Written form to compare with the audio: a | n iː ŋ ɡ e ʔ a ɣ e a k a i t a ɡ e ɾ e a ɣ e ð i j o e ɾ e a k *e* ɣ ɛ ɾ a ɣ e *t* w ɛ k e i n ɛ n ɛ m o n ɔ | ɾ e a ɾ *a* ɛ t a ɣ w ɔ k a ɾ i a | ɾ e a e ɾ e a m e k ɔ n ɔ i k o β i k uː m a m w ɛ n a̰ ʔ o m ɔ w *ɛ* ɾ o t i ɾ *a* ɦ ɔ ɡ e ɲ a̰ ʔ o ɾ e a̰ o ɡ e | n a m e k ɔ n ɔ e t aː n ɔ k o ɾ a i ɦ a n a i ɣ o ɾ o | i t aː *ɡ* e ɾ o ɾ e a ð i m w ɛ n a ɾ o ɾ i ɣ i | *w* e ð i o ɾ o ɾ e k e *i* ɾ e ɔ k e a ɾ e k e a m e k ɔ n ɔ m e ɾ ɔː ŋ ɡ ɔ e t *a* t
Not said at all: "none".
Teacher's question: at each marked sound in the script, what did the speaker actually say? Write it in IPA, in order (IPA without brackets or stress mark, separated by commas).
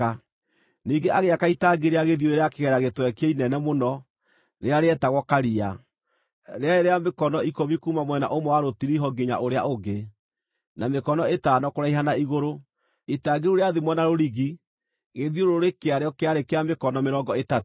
e, t, e, a, i, ɡ, ɣ, a, a